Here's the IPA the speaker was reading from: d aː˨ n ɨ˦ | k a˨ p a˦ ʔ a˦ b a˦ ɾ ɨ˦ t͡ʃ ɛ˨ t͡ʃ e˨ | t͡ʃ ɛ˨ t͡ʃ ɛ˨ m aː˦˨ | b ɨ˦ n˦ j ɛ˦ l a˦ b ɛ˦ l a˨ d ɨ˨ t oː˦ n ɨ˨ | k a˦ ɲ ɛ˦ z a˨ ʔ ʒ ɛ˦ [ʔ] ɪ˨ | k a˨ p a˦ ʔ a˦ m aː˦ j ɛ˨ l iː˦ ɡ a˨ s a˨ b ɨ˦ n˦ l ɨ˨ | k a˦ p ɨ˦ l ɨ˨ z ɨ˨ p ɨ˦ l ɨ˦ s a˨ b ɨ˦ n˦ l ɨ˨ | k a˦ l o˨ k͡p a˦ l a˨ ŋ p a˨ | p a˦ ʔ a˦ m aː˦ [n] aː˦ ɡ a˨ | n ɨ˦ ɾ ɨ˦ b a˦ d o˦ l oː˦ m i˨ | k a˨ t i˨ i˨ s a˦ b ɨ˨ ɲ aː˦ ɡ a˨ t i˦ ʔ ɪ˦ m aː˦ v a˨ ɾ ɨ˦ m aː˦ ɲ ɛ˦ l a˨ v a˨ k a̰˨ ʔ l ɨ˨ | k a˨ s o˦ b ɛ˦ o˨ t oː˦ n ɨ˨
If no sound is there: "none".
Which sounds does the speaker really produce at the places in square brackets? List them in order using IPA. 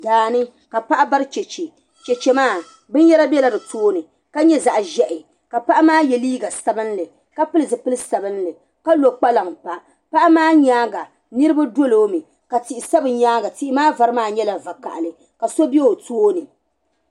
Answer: ʔ, ɲ

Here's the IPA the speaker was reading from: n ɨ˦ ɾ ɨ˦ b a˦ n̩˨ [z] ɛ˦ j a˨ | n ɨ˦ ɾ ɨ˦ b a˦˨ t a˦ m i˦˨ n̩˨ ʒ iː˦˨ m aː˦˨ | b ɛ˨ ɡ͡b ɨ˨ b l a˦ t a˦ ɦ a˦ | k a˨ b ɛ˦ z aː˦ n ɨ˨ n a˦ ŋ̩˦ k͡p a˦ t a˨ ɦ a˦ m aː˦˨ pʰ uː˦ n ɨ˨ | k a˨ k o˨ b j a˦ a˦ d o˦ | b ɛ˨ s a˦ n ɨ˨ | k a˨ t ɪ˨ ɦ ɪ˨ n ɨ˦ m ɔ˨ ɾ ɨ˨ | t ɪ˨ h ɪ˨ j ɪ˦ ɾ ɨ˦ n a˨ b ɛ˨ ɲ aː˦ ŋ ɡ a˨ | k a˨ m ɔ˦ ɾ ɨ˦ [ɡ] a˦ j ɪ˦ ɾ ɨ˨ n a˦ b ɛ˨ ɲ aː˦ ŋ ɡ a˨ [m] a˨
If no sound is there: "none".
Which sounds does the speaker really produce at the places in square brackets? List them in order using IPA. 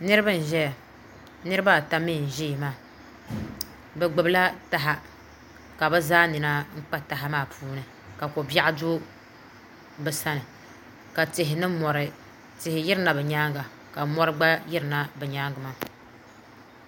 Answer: ʒ, ɡ͡b, m

